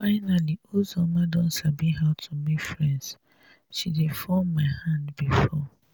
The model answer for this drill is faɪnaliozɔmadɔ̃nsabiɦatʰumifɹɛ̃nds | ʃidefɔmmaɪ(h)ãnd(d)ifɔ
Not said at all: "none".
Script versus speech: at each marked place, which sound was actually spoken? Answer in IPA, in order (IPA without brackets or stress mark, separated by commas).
h, b